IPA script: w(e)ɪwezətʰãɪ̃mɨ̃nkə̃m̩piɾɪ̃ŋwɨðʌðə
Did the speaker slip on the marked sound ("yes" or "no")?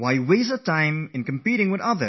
yes